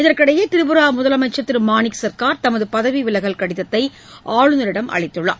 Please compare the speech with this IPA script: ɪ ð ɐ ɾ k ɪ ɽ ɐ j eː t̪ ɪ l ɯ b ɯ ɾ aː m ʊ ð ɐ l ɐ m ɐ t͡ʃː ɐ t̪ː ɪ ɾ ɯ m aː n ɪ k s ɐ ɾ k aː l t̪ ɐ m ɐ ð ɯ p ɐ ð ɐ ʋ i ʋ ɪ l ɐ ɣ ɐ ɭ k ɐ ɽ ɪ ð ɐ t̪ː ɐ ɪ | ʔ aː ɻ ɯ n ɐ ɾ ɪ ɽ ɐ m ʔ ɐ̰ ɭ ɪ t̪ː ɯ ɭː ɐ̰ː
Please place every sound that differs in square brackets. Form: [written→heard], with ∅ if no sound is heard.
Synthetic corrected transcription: ɪ ð ɐ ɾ k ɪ ɽ ɐ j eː t̪ ɪ [l→ɾ] ɯ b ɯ ɾ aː m ʊ ð ɐ l ɐ m ɐ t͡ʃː ɐ t̪ː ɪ ɾ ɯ m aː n ɪ k s ɐ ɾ k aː [l→ɾ] t̪ ɐ m ɐ ð ɯ p ɐ ð ɐ ʋ i ʋ ɪ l ɐ ɣ ɐ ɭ k ɐ ɽ ɪ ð ɐ t̪ː ɐ ɪ | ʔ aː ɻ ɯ n ɐ ɾ ɪ ɽ ɐ m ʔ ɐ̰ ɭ ɪ t̪ː ɯ ɭː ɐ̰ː